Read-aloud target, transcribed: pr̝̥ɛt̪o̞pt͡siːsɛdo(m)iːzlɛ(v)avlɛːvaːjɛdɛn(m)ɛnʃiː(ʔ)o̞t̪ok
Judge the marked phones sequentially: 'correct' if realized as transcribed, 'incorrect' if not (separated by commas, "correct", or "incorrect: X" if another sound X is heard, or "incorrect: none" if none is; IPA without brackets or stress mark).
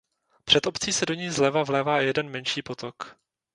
incorrect: ɲ, correct, correct, incorrect: p